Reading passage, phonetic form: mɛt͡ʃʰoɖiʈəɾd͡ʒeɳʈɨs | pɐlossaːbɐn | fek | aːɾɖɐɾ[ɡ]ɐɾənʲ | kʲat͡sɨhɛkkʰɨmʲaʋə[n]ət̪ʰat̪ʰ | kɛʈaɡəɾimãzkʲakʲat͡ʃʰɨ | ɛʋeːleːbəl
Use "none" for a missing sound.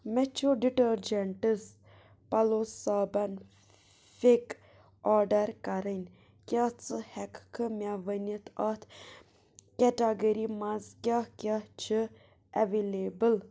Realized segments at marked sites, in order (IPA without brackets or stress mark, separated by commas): k, n